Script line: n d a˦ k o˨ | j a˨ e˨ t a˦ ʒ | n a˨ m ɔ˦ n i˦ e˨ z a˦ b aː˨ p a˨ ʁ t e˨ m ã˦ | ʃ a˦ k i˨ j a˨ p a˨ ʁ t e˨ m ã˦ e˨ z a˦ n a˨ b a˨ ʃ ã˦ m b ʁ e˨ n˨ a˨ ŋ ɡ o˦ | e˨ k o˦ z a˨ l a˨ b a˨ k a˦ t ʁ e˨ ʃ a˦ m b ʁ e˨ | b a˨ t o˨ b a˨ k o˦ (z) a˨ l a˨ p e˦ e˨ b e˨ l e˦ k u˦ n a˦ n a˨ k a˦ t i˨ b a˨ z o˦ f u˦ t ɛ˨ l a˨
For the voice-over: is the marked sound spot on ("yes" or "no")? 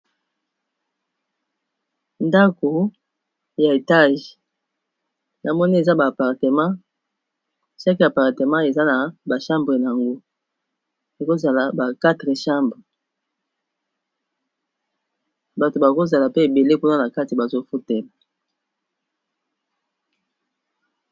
yes